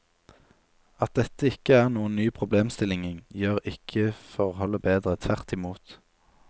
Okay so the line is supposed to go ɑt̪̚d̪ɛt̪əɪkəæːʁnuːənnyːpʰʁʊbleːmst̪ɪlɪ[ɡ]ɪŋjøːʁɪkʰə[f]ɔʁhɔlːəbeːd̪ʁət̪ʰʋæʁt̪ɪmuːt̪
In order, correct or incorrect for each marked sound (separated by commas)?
incorrect, correct